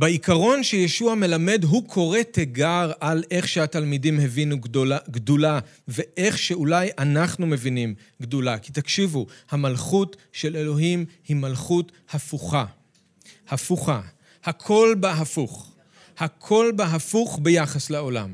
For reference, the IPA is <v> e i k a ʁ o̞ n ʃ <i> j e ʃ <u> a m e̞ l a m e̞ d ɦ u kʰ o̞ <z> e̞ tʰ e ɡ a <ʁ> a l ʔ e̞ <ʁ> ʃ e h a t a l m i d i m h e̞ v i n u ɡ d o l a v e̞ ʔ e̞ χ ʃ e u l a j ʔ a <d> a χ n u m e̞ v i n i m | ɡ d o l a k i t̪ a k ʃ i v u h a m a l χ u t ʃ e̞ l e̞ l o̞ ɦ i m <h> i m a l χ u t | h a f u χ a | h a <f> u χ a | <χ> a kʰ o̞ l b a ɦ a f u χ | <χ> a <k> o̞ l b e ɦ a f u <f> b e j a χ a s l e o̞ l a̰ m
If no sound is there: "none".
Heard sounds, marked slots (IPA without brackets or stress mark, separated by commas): b, e, u, ʁ, ʁ, χ, n, h, f, h, h, kʰ, χ